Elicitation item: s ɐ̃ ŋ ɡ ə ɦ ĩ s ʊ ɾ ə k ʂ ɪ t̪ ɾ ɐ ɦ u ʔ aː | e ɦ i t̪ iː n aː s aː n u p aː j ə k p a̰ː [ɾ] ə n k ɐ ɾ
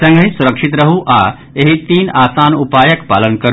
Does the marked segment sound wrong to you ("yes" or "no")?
yes